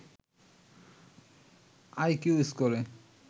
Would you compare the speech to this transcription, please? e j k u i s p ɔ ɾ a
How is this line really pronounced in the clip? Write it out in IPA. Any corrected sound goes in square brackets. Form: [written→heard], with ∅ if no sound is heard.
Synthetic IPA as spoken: [e→a] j k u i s [p→k] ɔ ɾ [a→e]